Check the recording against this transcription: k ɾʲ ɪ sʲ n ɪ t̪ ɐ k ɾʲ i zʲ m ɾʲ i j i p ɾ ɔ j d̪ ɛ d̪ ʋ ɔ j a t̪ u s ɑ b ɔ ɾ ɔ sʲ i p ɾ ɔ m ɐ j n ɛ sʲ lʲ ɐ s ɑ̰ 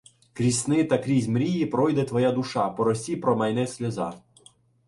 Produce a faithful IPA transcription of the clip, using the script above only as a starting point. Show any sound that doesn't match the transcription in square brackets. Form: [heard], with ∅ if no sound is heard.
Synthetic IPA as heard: k ɾʲ [i] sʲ n ɪ t̪ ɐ k ɾʲ i zʲ m ɾʲ i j i p ɾ ɔ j d̪ ɛ [t̪] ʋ ɔ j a [d̪] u [ʃ] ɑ [p] ɔ ɾ ɔ sʲ i p ɾ ɔ m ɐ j n ɛ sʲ lʲ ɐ [z] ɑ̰